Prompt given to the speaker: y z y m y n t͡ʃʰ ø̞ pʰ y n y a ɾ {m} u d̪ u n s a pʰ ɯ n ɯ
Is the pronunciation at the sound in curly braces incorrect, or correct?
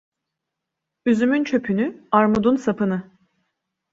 correct